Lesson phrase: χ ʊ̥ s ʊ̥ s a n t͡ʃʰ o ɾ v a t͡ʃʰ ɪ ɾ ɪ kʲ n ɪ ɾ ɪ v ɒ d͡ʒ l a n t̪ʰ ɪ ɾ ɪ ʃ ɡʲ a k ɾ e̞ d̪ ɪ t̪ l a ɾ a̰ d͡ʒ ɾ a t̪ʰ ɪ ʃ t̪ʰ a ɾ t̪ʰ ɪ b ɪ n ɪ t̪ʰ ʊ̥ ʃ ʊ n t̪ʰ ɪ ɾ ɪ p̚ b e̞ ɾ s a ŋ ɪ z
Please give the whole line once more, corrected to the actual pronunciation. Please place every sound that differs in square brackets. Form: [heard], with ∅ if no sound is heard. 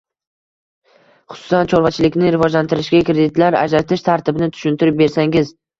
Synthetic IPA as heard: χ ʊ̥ s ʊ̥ s a n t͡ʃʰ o ɾ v a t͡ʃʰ ɪ [l] ɪ kʲ n ɪ ɾ ɪ v ɒ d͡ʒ l a n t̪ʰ ɪ ɾ ɪ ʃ ɡʲ a k ɾ e̞ d̪ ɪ t̪ l a ɾ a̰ d͡ʒ ɾ a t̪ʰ ɪ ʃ t̪ʰ a ɾ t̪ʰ ɪ b ɪ n ɪ t̪ʰ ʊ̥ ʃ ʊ n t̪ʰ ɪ ɾ ɪ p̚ b e̞ ɾ s a ŋ ɪ z